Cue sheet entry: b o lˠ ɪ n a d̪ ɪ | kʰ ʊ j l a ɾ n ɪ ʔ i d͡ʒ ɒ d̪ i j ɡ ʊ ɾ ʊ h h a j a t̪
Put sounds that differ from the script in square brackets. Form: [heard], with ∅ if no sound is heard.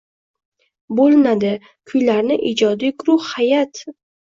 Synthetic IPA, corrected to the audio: b o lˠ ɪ n a d̪ ɪ | kʰ ʊ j l a ɾ n ɪ ʔ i d͡ʒ ɒ d̪ i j ɡ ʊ ɾ ʊ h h a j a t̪

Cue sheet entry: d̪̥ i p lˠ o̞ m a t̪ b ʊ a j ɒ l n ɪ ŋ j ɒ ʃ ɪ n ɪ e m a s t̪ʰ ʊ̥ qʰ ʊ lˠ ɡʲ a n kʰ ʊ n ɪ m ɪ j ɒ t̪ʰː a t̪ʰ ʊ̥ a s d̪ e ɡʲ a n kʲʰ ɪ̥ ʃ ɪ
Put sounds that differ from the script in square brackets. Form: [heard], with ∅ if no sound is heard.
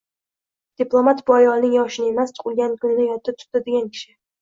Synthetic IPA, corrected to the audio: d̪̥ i p lˠ o̞ m a t̪ b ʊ a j ɒ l n ɪ ŋ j ɒ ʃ ɪ n ɪ e m a s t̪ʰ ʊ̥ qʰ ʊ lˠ ɡʲ a n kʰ ʊ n ɪ [n] ɪ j ɒ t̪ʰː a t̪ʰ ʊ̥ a [∅] d̪ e ɡʲ a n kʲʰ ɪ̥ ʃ ɪ

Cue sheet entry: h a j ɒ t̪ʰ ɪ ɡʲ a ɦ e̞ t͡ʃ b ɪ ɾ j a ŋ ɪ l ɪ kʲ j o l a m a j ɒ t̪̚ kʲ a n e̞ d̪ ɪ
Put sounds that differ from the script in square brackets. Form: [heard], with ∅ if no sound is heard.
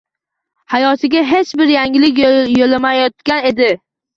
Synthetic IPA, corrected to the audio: h a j ɒ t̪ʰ ɪ ɡʲ a ɦ e̞ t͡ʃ b ɪ ɾ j a ŋ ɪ l ɪ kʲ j o l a m a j ɒ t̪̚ kʲ a n e̞ d̪ ɪ

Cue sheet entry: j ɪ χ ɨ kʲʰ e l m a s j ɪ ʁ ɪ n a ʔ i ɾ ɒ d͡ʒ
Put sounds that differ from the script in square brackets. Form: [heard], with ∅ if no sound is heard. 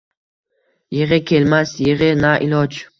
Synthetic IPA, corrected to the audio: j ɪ [ʁ] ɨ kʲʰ e l m a s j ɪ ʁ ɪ n a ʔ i [l] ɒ d͡ʒ

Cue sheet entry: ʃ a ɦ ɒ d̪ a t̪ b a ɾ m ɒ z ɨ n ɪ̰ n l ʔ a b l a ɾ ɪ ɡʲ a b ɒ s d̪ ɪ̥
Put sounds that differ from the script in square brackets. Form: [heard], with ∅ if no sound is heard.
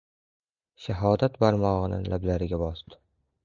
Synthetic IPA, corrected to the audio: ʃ a ɦ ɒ d̪ a t̪ b a ɾ m ɒ [ʁ] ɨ n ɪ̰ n l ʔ a b l a ɾ ɪ ɡʲ a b ɒ s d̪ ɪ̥

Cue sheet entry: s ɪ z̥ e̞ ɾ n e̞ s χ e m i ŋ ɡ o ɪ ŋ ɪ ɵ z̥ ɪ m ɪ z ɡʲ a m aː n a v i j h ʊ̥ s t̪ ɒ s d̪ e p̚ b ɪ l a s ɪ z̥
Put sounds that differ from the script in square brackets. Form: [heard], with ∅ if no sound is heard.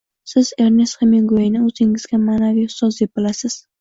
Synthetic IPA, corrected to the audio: s ɪ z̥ e̞ ɾ n e̞ s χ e m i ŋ ɡ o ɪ [n] ɪ ɵ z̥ ɪ [ŋ] ɪ z ɡʲ a m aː n a v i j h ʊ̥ s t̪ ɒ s d̪ e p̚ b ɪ l a s ɪ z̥

